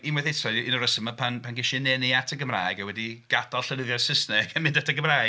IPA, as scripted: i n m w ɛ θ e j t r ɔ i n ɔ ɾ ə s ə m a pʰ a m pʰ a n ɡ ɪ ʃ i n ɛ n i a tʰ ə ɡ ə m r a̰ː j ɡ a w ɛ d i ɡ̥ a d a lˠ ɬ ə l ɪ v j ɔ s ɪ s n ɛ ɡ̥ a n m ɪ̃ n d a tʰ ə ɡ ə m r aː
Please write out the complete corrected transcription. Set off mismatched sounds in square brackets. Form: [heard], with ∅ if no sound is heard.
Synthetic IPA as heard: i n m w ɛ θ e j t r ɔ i n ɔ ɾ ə s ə m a pʰ a [n] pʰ a n ɡ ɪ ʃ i n ɛ n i a tʰ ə ɡ ə m r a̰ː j ɡ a w ɛ d i ɡ̥ a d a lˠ ɬ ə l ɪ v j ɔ s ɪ s n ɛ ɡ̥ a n m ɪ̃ n d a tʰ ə ɡ ə m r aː